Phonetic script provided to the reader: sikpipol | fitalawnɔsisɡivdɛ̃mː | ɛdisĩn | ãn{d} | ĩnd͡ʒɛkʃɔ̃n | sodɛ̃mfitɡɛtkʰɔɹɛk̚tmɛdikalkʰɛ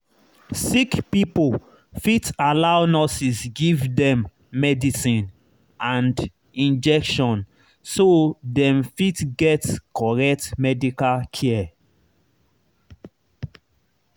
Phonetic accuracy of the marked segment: correct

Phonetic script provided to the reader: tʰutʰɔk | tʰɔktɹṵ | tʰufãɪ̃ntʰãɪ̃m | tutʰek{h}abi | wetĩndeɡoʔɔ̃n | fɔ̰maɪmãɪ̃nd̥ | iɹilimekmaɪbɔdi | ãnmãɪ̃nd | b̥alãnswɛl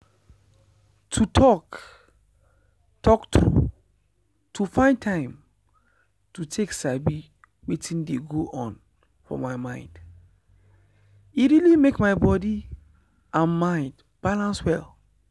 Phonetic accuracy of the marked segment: incorrect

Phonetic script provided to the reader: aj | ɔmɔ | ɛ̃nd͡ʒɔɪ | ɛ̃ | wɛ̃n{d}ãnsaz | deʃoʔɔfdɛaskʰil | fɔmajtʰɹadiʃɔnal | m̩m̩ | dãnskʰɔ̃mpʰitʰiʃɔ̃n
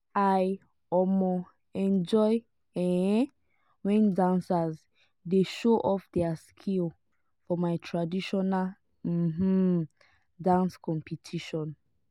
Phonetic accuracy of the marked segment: correct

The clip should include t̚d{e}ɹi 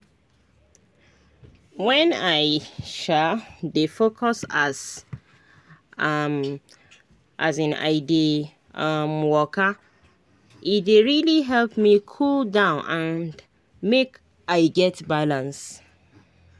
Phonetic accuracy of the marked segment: correct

